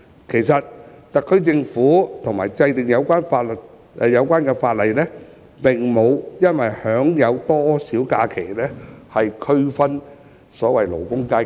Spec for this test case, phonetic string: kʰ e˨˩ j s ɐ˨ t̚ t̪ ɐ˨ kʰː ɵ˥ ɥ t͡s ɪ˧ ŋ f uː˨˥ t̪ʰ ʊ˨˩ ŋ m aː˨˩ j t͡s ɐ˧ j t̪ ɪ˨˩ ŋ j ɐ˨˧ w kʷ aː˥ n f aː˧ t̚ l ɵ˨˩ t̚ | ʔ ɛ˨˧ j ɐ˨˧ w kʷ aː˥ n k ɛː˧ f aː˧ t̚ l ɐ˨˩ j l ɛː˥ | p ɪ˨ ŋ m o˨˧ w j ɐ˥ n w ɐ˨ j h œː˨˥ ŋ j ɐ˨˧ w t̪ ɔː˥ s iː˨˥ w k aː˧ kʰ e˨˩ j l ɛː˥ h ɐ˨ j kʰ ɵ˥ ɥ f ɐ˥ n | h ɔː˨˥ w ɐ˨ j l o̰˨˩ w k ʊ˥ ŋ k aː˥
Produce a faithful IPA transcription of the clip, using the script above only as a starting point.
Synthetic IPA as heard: kʰ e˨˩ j s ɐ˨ t̚ t̪ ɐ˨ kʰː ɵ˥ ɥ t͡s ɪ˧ ŋ f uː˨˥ t̪ʰ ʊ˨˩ ŋ m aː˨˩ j t͡s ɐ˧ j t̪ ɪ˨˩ ŋ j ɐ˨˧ w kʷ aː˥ n f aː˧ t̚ l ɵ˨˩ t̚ | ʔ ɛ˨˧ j ɐ˨˧ w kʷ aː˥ n k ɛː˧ f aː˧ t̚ l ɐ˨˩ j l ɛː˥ | p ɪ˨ ŋ m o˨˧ w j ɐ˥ n w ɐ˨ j h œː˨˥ ŋ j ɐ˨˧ w t̪ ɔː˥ s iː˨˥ w k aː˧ kʰ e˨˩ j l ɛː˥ h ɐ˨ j kʰ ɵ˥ ɥ f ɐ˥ n | s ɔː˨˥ w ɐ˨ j l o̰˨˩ w k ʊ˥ ŋ k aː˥